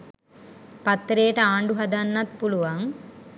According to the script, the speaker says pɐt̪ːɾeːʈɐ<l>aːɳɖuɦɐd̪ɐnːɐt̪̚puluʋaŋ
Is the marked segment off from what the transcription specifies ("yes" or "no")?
yes